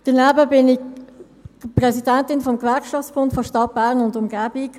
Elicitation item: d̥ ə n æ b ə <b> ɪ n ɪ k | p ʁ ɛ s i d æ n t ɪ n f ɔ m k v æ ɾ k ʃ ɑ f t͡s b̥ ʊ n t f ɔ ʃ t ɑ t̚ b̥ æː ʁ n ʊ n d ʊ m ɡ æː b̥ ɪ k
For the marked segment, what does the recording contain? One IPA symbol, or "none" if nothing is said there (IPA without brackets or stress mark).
b